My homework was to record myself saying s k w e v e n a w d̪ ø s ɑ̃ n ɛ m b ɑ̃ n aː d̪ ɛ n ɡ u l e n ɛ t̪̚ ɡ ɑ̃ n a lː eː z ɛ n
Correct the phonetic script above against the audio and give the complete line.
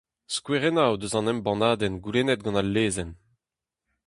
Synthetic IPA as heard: s k w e ʁ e n a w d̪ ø z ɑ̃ n ɛ m b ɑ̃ n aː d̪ ɛ n ɡ u l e n ɛ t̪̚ ɡ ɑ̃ n a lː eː z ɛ n